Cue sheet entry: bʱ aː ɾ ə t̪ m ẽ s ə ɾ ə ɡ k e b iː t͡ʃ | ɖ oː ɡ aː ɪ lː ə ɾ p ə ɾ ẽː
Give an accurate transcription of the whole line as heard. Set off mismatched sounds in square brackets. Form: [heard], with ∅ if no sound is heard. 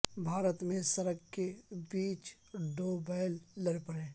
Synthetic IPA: bʱ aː ɾ ə t̪ m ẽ s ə ɾ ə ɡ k e b iː t͡ʃ | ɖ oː [b] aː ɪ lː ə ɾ p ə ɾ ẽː